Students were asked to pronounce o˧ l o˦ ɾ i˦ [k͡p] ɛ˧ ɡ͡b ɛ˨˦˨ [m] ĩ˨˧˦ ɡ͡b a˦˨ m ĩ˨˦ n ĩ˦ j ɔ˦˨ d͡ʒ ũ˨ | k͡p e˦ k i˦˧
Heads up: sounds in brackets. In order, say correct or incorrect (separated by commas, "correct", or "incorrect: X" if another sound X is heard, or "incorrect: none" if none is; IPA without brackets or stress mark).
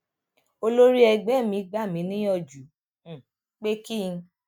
incorrect: none, correct